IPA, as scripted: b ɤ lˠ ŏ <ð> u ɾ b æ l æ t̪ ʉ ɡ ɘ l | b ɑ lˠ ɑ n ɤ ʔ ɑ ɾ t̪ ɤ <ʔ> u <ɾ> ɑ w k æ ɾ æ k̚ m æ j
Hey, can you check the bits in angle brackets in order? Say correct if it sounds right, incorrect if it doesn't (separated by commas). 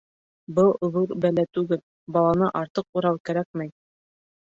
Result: correct, incorrect, correct